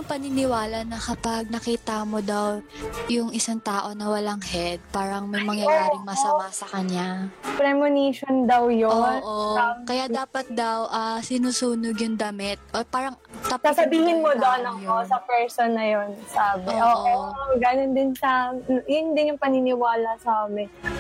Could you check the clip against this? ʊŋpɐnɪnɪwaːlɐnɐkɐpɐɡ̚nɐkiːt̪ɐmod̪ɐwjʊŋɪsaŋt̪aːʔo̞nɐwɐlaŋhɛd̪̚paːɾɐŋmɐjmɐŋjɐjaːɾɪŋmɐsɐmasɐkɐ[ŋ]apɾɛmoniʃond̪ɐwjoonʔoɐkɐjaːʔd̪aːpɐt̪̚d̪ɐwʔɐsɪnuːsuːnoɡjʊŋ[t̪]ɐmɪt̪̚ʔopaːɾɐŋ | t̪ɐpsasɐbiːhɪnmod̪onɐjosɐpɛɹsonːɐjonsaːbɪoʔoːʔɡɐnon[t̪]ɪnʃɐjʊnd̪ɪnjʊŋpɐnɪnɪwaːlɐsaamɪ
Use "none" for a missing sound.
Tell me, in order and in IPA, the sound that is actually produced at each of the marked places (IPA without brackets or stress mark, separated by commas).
ɲ, d̪, d̪